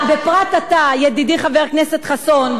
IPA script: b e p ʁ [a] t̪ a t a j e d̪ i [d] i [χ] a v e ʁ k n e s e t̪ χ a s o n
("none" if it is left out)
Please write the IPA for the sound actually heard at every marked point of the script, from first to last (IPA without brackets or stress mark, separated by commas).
a, d, χ